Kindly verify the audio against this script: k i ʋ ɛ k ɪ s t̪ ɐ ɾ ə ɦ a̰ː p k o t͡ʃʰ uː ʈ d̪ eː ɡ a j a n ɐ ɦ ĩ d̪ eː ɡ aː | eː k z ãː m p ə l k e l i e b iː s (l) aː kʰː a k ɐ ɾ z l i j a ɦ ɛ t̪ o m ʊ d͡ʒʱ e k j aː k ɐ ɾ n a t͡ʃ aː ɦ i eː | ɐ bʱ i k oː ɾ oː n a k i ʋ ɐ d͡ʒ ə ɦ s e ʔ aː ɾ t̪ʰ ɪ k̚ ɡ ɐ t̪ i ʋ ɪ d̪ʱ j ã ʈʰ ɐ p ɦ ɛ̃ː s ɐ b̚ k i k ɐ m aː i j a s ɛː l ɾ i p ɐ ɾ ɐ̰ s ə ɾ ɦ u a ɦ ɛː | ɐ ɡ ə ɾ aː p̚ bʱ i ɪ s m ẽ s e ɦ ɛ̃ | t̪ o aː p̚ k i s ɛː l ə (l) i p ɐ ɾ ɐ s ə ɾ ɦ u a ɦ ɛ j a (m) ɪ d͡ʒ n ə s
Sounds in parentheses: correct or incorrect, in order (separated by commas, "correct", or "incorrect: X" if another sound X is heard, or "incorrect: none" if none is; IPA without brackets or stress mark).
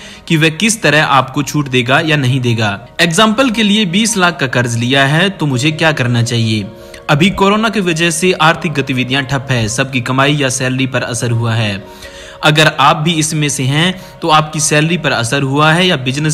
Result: correct, incorrect: ɾ, incorrect: b